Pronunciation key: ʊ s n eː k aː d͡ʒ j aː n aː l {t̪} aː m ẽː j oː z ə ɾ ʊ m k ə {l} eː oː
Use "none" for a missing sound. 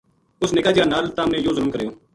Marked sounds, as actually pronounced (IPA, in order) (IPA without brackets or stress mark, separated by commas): t̪, ɾ